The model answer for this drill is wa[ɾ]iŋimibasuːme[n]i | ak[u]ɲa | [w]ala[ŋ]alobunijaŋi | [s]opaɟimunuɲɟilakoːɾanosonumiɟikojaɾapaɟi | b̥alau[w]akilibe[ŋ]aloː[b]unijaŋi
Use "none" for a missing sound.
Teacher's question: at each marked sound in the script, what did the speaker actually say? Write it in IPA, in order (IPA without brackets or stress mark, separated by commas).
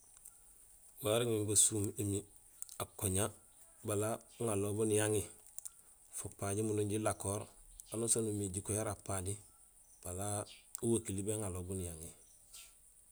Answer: ɾ, m, o, b, ŋ, f, w, ŋ, b